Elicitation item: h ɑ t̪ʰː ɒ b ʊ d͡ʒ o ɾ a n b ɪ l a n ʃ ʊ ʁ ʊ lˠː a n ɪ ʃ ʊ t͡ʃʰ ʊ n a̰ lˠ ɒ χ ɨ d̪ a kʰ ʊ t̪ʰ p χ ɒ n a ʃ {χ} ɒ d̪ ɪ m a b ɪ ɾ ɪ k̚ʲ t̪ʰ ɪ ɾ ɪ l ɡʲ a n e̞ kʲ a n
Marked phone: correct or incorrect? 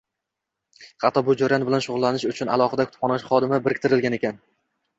correct